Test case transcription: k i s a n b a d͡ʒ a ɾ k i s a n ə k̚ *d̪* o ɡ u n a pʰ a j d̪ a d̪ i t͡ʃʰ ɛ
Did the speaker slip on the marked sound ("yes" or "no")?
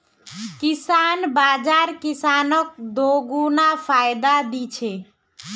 no